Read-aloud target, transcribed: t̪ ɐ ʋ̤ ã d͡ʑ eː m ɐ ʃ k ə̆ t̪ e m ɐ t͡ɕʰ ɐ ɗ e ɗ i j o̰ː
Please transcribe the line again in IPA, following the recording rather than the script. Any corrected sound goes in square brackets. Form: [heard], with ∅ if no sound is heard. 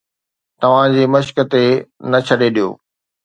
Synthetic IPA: t̪ ɐ ʋ̤ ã d͡ʑ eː m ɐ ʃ k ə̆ t̪ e [n] ɐ t͡ɕʰ ɐ ɗ e ɗ i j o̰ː